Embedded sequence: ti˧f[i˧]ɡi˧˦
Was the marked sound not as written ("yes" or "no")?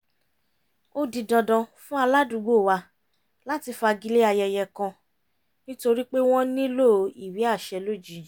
yes